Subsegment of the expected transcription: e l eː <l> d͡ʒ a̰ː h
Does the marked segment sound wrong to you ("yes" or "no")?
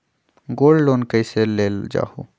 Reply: no